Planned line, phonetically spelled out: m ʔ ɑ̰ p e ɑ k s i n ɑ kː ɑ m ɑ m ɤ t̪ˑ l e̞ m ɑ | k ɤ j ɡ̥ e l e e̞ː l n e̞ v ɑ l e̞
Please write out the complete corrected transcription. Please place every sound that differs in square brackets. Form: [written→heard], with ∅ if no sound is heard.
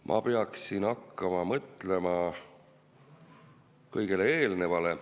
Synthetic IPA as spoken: m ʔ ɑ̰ p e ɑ k s i n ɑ kː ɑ m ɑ m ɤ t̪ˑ l e̞ m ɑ | k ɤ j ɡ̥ e l e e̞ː l n e̞ v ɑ l e̞